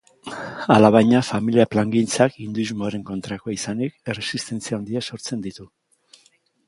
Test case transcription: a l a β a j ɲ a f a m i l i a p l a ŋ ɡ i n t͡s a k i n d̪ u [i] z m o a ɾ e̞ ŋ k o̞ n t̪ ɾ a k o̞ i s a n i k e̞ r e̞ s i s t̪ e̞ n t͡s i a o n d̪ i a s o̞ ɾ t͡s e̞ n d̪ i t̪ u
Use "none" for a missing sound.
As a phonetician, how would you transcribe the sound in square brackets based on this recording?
i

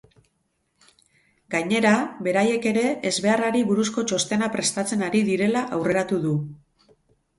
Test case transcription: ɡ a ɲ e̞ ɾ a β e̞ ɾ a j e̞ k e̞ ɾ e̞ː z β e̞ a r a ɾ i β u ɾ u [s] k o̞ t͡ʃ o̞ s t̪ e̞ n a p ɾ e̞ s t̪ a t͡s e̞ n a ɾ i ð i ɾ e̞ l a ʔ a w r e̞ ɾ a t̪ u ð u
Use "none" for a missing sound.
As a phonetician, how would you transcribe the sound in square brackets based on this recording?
s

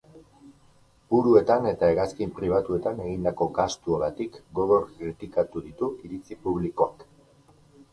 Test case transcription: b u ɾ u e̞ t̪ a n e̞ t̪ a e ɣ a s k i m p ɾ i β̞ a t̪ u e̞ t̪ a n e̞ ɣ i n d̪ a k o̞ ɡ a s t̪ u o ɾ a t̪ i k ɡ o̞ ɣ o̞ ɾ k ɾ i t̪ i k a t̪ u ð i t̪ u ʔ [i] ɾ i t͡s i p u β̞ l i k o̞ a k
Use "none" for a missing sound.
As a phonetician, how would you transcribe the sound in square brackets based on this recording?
i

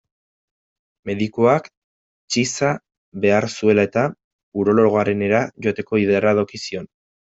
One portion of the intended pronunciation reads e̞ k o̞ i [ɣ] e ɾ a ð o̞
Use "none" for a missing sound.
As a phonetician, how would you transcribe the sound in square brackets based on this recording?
ð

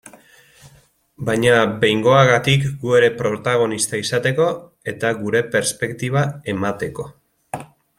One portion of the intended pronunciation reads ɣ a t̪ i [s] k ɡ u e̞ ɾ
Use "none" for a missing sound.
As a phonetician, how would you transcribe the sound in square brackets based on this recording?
none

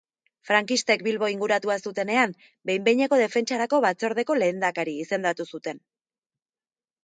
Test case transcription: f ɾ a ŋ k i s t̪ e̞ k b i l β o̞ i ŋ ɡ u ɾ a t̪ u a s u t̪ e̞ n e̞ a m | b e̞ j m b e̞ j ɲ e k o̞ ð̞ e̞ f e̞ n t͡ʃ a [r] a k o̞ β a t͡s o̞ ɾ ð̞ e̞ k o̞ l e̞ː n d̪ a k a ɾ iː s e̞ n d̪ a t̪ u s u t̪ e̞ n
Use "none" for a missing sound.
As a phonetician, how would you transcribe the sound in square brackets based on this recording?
ɾ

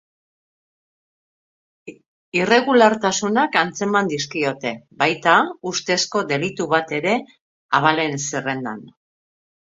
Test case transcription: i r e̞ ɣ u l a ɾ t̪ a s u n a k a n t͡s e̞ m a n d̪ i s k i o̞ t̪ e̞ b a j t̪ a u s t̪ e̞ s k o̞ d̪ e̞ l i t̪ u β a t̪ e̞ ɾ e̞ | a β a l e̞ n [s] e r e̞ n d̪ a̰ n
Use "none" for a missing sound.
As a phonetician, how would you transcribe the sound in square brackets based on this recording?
s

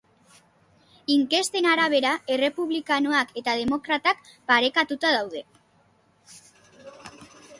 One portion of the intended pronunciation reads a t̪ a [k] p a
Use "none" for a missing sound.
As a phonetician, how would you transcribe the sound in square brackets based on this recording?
k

